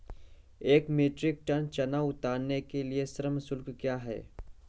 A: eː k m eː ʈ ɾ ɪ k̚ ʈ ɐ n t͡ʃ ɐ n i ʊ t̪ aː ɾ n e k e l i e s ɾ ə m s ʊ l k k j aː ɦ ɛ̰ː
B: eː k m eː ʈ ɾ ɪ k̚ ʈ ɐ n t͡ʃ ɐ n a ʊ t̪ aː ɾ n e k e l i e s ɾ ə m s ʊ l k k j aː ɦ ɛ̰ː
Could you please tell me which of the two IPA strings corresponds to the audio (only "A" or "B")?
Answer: B